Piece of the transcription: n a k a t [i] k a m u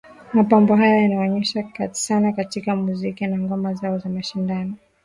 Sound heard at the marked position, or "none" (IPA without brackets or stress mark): i